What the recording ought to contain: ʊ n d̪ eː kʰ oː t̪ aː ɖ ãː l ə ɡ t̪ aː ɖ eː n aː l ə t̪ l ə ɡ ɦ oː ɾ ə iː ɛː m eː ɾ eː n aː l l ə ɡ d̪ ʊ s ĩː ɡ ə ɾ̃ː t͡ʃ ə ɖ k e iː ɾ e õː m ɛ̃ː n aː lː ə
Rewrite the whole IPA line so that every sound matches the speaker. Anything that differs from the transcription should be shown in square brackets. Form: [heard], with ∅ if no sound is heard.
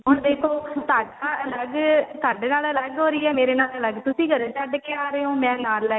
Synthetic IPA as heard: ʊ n d̪ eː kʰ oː t̪ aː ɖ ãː l ə ɡ t̪ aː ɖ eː n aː l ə [∅] l ə ɡ ɦ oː ɾ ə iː ɛː m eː ɾ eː n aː l l ə ɡ [t̪] ʊ s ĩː ɡ ə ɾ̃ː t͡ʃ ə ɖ k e [aː] ɾ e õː m ɛ̃ː n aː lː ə